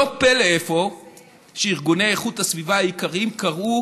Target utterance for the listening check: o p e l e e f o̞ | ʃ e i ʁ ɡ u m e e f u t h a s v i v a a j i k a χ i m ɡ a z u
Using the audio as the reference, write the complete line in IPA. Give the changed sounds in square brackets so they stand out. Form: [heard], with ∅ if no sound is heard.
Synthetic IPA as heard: o p e l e e f o̞ | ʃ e i ʁ ɡ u [n] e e [χ] u t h a s v i v a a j i k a [ʁ] i m [k] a [ʁ] u